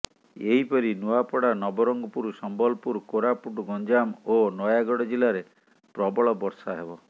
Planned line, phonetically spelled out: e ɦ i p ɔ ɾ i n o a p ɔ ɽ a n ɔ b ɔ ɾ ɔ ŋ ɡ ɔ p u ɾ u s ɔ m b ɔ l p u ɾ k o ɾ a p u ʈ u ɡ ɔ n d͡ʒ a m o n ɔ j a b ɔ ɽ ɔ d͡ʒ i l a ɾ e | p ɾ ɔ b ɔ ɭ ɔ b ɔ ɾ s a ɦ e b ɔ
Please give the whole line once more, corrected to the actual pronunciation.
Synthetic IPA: e ɦ i p ɔ ɾ i n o a p ɔ ɽ a n ɔ b ɔ ɾ ɔ ŋ ɡ ɔ p u ɾ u s ɔ m b ɔ l p u ɾ k o ɾ a p u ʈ u ɡ ɔ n d͡ʒ a m o n ɔ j a ɡ ɔ ɽ ɔ d͡ʒ i l a ɾ e | p ɾ ɔ b ɔ ɭ ɔ b ɔ ɾ s a ɦ e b ɔ